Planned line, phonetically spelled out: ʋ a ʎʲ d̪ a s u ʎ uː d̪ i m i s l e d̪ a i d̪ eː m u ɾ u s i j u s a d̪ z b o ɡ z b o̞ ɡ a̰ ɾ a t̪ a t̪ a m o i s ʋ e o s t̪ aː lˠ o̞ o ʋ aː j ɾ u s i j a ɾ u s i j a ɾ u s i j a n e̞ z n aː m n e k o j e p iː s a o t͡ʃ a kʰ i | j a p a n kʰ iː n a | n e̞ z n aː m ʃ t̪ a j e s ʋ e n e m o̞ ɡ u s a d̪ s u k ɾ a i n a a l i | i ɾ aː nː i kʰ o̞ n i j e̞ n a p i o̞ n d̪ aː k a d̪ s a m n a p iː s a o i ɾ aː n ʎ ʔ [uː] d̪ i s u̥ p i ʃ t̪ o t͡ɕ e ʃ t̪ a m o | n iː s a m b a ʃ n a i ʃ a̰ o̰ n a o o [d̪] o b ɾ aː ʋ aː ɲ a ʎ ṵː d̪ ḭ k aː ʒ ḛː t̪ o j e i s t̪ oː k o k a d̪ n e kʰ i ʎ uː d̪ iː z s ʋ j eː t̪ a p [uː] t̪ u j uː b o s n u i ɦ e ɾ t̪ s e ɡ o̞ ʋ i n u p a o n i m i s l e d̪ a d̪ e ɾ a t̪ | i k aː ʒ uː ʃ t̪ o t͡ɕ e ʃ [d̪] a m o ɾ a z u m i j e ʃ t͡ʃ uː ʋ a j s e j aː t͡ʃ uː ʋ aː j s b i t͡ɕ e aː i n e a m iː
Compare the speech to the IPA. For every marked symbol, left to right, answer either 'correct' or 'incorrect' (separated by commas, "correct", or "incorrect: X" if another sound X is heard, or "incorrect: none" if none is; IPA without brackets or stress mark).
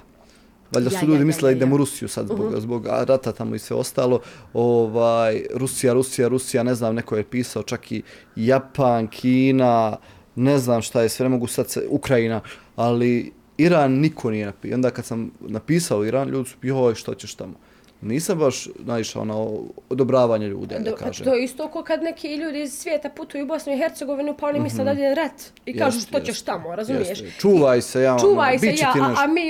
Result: correct, correct, incorrect: u, incorrect: t̪